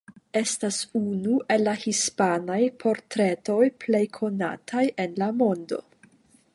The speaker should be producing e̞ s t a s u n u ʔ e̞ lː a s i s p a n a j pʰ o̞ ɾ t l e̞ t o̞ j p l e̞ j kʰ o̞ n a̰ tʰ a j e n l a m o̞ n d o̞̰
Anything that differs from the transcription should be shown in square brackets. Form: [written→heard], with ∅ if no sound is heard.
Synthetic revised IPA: e̞ s t a s u n u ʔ e̞ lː a [s→h] i s p a n a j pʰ o̞ ɾ t [l→ɾ] e̞ t o̞ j p l e̞ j kʰ o̞ n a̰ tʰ a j e n l a m o̞ n d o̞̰